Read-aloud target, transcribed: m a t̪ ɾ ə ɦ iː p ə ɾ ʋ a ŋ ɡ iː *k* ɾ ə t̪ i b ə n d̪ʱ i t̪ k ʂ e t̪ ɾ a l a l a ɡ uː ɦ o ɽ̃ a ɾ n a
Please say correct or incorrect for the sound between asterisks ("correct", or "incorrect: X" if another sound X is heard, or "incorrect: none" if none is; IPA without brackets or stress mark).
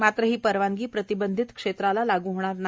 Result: incorrect: p